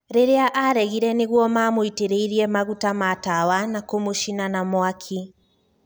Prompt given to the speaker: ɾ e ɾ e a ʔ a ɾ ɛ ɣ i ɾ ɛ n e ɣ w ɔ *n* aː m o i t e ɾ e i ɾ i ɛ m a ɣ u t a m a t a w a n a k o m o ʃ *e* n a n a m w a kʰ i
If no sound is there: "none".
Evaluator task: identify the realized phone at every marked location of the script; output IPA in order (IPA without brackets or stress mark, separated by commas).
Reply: m, i